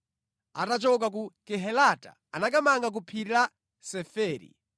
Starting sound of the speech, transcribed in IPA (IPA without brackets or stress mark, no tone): a